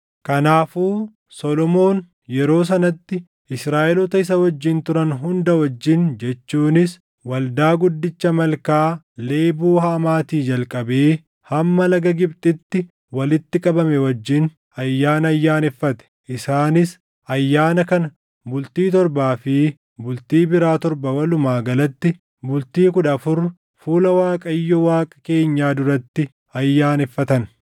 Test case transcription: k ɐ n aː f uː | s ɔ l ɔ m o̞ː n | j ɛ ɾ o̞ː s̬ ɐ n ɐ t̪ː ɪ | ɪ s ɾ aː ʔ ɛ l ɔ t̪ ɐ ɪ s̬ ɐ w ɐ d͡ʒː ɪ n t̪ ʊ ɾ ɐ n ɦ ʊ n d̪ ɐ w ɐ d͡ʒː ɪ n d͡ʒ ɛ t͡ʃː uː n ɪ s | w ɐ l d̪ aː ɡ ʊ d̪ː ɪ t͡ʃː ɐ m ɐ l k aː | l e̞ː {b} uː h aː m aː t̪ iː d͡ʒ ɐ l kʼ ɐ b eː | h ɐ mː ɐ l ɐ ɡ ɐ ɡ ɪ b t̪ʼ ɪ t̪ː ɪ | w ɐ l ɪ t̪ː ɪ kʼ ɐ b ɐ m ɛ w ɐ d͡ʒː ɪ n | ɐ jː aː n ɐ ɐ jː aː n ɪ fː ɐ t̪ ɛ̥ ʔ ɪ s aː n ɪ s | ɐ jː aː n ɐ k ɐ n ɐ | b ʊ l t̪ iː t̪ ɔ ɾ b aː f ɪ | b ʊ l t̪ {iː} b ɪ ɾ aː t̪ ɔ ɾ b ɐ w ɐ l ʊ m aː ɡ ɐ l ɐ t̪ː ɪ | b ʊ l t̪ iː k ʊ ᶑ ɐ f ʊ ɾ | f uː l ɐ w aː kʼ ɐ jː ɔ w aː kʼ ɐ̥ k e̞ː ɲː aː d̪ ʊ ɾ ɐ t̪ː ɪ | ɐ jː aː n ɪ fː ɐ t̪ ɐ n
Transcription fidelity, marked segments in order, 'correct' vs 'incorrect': correct, correct

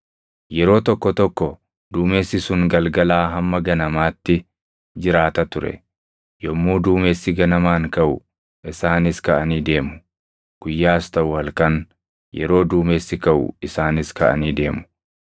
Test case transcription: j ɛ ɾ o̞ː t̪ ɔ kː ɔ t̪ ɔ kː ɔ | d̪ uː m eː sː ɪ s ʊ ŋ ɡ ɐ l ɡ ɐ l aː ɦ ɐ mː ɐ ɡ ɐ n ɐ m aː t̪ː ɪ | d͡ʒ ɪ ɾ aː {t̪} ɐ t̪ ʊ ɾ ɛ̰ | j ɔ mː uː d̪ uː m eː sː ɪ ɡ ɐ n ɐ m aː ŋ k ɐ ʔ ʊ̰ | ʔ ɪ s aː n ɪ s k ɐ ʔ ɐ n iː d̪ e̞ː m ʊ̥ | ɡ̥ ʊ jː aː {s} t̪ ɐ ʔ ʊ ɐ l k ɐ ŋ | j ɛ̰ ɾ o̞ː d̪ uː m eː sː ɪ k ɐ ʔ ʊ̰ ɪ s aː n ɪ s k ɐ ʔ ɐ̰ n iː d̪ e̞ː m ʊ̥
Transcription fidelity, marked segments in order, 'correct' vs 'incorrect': correct, correct

